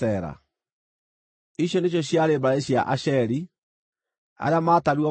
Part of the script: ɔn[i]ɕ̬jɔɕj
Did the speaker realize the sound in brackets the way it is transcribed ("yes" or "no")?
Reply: no